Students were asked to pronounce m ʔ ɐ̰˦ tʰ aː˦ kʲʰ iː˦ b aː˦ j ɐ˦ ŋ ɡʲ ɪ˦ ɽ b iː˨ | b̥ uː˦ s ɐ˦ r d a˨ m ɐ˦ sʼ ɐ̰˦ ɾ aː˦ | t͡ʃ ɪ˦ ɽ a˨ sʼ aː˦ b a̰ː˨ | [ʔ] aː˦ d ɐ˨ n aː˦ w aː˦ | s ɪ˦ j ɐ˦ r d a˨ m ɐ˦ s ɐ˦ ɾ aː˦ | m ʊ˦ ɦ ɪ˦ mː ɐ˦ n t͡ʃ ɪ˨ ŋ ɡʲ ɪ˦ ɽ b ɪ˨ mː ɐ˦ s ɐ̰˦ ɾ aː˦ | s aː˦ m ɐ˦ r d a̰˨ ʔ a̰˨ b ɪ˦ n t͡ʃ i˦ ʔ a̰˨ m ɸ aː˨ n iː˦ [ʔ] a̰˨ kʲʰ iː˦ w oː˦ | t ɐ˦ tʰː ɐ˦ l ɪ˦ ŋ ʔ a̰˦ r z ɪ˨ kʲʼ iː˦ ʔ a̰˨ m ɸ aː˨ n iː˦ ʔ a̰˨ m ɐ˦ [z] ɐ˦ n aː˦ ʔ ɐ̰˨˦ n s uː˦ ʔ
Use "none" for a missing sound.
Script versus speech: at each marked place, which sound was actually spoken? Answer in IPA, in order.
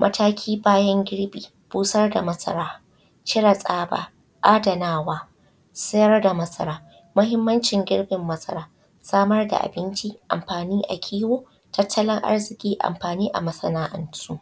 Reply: ʔ, ʔ, s

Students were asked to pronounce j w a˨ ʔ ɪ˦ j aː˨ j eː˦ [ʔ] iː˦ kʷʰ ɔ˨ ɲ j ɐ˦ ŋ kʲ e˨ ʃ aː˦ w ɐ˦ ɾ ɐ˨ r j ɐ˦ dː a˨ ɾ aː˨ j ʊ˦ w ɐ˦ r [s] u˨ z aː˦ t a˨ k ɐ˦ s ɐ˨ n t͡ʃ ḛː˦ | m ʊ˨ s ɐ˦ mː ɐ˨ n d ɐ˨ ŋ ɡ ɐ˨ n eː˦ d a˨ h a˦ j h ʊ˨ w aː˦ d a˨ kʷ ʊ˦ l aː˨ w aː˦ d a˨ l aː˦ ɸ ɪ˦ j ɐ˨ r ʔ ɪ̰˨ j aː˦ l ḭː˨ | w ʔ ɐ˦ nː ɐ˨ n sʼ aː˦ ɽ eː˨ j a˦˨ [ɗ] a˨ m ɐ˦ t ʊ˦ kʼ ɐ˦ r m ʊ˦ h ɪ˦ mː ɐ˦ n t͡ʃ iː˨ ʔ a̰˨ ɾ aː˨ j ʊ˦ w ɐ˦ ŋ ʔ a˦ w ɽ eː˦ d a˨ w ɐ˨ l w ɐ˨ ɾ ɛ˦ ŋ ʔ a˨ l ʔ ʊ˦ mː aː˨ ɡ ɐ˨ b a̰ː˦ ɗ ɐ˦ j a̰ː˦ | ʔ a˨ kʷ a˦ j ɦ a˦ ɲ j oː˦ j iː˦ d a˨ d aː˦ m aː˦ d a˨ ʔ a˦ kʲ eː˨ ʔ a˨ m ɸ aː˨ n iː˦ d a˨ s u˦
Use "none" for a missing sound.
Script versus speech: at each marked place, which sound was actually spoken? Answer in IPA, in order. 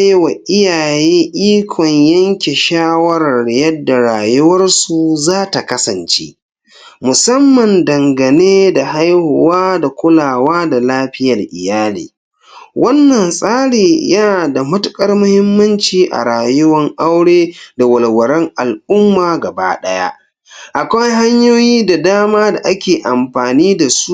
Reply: ʔ, s, d

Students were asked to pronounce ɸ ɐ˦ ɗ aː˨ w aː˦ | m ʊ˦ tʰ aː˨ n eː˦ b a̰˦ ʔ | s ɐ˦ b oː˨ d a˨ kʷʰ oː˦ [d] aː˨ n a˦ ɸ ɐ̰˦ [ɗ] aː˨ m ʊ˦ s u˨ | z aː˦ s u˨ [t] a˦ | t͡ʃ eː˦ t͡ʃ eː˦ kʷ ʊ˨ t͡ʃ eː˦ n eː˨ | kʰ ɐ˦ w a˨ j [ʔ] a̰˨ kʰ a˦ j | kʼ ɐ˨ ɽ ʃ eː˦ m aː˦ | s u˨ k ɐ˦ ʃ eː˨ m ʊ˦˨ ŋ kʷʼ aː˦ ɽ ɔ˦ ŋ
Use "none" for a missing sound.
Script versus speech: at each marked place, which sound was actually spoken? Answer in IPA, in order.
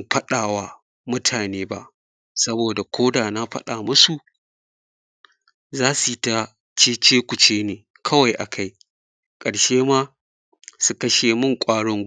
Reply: d, ɗ, t, ʔ

